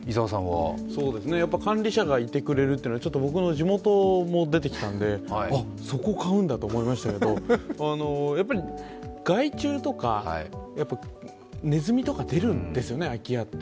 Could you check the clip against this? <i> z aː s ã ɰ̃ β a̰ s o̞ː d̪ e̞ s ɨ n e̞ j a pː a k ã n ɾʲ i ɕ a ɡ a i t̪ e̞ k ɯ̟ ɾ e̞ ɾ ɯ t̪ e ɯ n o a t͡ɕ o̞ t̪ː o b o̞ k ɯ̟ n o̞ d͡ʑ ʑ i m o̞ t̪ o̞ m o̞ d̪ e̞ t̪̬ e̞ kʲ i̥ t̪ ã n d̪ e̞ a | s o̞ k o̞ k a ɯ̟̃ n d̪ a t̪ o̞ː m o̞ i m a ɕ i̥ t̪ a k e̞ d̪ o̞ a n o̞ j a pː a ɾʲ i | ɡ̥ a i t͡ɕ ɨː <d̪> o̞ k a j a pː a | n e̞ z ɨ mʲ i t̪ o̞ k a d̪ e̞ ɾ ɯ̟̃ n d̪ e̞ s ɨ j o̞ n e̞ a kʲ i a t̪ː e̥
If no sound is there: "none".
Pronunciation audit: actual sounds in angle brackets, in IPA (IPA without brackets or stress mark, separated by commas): i, t̪